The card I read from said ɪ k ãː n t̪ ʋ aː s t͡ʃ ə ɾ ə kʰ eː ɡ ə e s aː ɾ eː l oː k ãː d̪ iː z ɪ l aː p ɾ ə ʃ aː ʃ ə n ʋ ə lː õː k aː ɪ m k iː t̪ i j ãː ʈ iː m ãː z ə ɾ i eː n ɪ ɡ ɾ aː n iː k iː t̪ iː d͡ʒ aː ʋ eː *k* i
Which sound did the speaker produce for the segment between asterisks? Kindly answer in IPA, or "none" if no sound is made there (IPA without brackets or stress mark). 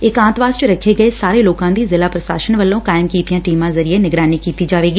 ɡ